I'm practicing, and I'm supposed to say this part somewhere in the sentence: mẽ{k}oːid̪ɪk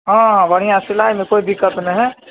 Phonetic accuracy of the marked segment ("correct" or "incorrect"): correct